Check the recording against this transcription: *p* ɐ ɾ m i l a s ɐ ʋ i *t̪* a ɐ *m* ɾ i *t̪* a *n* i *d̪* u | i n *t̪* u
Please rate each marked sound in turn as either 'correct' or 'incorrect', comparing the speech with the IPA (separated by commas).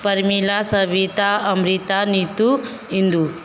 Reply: correct, correct, correct, correct, correct, incorrect, incorrect